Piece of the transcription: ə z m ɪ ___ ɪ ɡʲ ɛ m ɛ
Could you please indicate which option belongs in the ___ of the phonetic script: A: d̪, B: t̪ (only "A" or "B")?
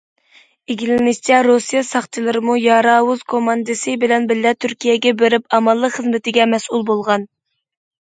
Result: B